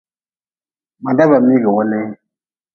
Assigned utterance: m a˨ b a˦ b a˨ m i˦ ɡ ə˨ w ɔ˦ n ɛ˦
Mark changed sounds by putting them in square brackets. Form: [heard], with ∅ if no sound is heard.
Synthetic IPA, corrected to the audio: m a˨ [d] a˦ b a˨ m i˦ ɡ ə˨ w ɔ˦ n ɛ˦